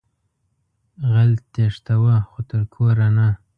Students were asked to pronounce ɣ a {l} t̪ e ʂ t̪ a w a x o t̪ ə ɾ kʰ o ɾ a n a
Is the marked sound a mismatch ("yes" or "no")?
no